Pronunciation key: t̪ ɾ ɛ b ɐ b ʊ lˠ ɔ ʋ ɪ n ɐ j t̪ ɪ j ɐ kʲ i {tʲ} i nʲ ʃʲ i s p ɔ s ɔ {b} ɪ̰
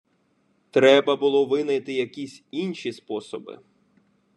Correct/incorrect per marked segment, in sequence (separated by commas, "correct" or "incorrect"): incorrect, correct